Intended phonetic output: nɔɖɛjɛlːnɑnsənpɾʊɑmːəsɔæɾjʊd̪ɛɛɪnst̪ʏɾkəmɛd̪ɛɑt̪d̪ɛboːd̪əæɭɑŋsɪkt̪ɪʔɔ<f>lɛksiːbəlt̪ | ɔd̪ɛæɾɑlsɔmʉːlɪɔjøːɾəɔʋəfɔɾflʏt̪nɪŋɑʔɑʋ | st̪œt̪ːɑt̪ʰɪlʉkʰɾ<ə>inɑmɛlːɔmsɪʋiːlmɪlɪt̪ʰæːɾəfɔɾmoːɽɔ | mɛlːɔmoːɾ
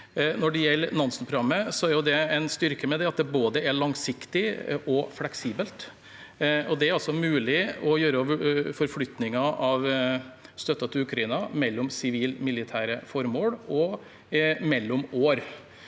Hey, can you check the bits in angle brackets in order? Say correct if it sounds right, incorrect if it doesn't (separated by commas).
correct, incorrect